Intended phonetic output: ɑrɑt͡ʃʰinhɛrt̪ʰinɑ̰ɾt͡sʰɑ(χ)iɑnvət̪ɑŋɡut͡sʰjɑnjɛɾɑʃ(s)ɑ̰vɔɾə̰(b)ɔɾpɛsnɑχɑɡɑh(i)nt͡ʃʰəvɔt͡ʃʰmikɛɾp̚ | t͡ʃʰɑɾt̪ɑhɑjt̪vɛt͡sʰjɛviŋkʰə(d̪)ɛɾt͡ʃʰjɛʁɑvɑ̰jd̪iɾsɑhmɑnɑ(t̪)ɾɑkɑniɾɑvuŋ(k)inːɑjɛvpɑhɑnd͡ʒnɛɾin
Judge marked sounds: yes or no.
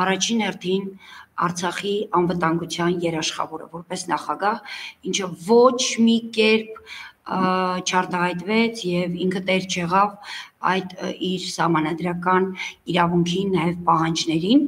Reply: yes, no, no, yes, no, no, no

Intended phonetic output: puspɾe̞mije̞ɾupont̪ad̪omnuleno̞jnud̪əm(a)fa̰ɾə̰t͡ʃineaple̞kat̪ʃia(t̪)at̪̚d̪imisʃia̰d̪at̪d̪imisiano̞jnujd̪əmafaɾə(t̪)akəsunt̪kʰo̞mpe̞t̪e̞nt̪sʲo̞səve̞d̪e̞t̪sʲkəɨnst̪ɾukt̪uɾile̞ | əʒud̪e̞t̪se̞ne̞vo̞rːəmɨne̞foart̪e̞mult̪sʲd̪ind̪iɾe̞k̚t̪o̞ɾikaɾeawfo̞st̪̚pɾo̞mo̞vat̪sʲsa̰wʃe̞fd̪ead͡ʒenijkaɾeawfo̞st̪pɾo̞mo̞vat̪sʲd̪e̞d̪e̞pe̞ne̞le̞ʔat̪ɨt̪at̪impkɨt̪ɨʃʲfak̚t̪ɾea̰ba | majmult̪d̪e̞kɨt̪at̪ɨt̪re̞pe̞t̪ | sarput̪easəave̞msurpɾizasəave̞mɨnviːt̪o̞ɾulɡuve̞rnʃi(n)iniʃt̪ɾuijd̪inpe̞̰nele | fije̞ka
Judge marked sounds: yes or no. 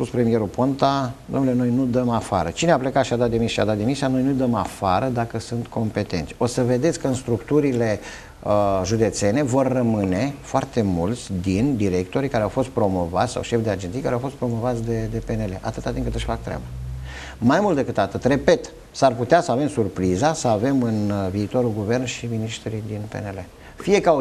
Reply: yes, no, no, no

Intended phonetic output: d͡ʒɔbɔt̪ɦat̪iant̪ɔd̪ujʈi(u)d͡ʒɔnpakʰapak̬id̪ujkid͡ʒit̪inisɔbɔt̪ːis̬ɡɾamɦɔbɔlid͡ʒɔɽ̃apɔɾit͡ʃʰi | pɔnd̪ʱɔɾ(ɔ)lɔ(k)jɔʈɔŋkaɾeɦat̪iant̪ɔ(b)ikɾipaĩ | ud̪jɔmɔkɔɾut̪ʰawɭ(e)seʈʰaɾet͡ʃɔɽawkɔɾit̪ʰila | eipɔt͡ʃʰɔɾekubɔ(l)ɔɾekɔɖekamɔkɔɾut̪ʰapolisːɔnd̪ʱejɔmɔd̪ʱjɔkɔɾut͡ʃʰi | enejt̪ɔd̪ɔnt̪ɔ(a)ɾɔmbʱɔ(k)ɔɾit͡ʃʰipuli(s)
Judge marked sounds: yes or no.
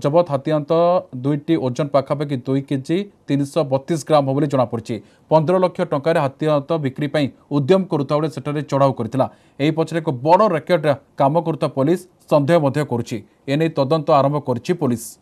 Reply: no, yes, no, yes, yes, no, yes, yes, yes

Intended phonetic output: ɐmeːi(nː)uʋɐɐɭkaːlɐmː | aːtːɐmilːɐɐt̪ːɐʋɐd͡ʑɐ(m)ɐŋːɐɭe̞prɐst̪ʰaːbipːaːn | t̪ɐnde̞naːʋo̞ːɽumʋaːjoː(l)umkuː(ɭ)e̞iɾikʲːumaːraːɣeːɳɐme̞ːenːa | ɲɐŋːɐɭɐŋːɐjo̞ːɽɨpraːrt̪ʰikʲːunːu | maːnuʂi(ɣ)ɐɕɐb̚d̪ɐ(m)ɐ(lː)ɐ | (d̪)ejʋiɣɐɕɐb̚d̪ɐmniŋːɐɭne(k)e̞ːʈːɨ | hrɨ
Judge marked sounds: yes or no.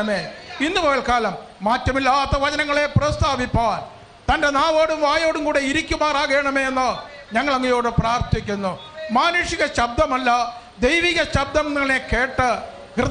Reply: yes, no, no, no, yes, yes, yes, yes, yes

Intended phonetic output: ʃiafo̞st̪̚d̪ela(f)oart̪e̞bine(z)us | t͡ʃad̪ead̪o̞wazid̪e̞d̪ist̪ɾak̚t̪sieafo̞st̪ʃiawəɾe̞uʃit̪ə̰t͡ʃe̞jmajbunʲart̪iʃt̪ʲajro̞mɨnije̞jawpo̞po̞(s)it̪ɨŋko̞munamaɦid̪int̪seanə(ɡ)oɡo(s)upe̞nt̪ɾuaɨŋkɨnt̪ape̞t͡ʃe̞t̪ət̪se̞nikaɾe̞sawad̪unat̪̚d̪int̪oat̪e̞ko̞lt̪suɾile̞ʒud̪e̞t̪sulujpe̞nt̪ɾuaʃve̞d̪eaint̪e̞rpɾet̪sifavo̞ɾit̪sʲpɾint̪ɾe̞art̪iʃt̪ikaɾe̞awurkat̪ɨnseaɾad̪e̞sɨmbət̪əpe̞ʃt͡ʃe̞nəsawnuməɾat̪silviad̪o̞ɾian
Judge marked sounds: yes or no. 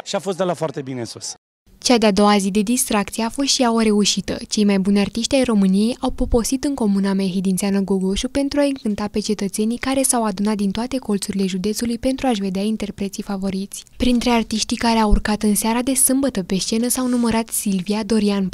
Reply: yes, no, yes, yes, no

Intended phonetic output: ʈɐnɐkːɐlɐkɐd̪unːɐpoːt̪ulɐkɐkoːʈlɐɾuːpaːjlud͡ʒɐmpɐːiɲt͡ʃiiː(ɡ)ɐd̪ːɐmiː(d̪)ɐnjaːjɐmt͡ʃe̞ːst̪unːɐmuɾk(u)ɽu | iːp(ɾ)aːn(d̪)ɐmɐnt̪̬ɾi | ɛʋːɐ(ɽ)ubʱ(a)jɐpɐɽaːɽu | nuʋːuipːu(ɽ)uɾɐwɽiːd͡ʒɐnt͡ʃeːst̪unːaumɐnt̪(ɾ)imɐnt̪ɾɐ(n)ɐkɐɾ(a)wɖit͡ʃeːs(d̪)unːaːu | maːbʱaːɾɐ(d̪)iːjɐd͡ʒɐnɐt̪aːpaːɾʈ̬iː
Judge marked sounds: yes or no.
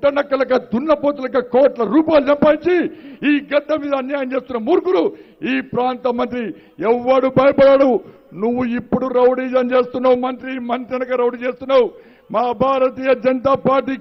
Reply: yes, yes, yes, yes, no, yes, no, yes, yes, yes, no, no, no

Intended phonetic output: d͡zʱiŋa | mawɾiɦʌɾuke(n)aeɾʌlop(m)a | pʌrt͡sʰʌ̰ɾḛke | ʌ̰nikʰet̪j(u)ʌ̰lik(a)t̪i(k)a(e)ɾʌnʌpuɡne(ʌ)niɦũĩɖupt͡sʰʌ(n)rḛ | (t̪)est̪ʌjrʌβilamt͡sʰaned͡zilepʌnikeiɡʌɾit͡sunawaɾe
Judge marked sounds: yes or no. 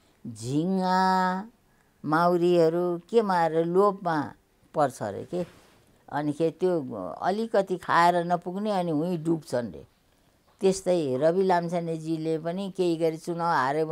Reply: no, yes, no, no, no, yes, yes, yes, yes

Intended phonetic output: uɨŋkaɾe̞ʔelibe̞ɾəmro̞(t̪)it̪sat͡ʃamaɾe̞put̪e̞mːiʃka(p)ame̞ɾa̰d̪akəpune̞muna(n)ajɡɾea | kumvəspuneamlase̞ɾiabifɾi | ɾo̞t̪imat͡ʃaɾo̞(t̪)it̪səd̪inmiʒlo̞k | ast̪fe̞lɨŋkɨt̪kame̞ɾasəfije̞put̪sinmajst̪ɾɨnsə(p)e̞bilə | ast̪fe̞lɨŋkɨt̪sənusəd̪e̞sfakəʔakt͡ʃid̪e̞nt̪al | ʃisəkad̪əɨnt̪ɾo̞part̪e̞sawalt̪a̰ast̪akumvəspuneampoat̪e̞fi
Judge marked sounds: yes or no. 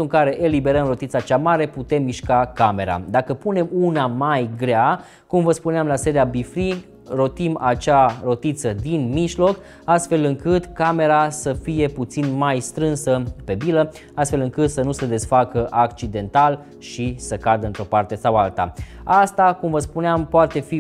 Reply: yes, no, no, yes, yes

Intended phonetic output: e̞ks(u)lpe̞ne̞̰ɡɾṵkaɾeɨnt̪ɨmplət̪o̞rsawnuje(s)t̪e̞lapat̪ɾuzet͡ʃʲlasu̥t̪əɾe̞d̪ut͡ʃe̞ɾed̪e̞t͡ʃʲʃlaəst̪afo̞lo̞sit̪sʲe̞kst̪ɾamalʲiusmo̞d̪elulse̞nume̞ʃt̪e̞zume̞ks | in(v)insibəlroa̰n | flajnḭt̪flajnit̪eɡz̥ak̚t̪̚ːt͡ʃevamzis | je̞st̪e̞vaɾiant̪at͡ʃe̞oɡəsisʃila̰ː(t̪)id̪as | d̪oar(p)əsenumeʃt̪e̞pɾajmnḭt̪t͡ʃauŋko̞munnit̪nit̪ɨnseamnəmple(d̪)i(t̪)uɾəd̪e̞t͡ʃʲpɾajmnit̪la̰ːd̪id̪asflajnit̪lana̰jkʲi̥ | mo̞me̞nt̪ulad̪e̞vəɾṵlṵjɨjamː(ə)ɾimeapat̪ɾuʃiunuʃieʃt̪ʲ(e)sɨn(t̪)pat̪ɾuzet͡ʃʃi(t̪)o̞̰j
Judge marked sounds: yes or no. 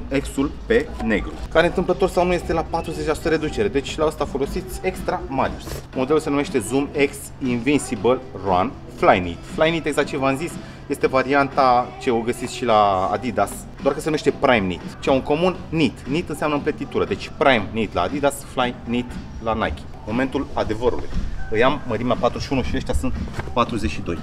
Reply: yes, yes, yes, no, no, no, yes, yes, no, yes, no

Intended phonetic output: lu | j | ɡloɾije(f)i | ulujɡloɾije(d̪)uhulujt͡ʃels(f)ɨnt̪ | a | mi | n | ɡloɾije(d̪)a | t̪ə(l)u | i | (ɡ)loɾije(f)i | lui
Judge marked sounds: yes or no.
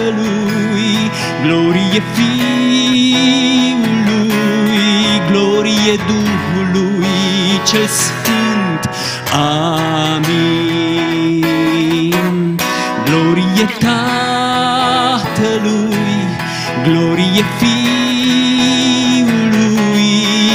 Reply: yes, yes, yes, no, yes, yes, yes

